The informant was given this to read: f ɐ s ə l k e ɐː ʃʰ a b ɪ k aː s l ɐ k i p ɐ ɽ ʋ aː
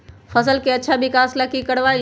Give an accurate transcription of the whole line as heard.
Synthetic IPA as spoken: f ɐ s ə l k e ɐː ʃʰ a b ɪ k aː s l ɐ k i k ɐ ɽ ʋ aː